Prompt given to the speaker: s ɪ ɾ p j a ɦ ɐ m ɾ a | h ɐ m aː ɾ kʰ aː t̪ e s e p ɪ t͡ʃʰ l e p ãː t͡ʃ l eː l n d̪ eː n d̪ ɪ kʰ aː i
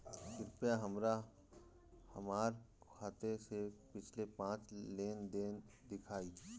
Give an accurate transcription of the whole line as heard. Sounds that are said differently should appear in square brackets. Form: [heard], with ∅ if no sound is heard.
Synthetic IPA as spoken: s ɪ ɾ p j a ɦ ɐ m ɾ a | h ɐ m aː ɾ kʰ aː t̪ e s e p ɪ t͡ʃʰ l e p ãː t͡ʃ l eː [∅] n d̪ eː n d̪ ɪ kʰ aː i